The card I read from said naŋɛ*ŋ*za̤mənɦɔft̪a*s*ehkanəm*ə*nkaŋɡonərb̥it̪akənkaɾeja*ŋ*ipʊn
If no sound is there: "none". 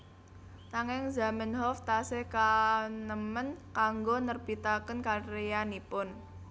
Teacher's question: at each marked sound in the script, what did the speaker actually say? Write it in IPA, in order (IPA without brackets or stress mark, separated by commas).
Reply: ŋ, s, ə, n